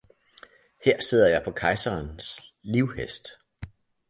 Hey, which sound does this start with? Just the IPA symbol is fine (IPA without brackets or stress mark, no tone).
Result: h